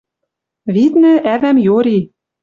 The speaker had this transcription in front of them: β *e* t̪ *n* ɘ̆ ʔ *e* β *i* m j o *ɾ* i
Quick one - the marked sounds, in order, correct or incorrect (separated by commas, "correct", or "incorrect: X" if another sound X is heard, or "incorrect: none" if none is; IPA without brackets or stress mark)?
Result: incorrect: i, correct, incorrect: æ, incorrect: æ, correct